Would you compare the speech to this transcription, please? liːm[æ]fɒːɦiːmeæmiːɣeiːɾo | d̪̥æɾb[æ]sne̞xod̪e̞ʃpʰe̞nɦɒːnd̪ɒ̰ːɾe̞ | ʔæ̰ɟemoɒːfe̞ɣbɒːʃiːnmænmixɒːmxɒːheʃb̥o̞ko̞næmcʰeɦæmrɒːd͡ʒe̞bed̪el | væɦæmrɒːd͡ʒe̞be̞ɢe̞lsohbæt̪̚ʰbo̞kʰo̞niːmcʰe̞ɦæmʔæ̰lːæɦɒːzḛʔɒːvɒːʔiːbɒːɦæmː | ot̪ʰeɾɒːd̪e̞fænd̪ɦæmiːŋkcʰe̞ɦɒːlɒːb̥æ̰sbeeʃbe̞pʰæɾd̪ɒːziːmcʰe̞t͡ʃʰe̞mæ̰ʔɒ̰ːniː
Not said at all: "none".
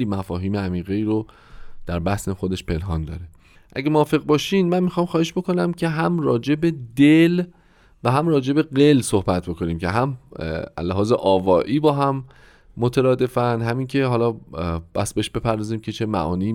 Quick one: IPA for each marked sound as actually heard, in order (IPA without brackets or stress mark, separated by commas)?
æ, æ